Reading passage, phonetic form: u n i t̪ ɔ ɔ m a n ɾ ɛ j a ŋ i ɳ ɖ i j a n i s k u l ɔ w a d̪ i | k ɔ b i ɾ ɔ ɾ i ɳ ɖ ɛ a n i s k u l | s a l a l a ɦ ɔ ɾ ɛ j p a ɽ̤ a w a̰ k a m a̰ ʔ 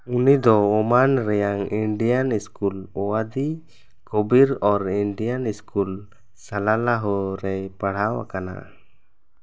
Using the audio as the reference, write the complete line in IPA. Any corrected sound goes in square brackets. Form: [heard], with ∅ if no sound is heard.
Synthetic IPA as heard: u n i [d̪] ɔ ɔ m a n ɾ ɛ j a ŋ i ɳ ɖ i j a n i s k u l ɔ w a d̪ i | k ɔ b i ɾ ɔ ɾ i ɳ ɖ [i] a n i s k u l | s a l a l a ɦ ɔ ɾ ɛ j p a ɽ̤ a w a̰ k a [n] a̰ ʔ